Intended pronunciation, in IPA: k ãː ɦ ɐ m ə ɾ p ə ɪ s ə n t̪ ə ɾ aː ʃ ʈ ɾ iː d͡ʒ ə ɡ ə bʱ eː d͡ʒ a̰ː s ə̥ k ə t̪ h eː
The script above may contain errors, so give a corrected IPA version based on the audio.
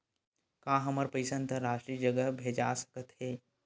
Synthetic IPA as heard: k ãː ɦ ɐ m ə ɾ p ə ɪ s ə n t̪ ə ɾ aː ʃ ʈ ɾ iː d͡ʒ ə ɡ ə bʱ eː d͡ʒ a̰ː s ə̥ k ə t̪ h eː